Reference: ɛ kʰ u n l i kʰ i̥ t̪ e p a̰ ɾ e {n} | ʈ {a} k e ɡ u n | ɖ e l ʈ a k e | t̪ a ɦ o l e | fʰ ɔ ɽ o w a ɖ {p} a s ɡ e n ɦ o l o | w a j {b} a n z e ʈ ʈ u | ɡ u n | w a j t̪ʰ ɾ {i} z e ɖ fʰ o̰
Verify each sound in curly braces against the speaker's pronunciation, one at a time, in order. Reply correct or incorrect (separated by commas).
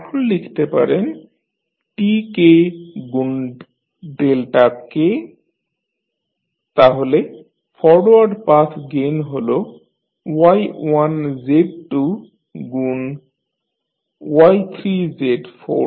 correct, incorrect, correct, incorrect, correct